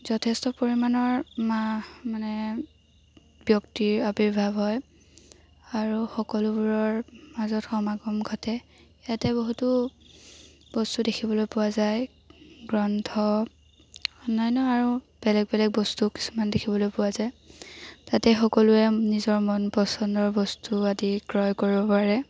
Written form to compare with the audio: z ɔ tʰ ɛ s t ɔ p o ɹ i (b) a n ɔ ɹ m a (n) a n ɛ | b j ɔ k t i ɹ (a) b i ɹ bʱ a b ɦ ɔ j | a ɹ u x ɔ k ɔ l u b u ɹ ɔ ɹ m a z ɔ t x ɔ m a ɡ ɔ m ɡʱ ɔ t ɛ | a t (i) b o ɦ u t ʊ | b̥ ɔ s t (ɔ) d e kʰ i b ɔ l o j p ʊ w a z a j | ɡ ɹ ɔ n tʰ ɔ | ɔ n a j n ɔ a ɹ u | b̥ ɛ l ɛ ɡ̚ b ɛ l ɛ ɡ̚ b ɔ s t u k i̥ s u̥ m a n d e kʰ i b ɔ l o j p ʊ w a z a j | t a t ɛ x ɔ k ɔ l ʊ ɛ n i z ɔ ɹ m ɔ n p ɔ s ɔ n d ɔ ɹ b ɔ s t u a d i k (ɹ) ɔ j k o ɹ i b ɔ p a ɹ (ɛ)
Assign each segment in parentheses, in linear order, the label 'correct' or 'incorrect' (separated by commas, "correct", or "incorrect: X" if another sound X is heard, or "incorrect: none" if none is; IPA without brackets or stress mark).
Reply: incorrect: m, incorrect: m, correct, incorrect: ɛ, incorrect: u, correct, correct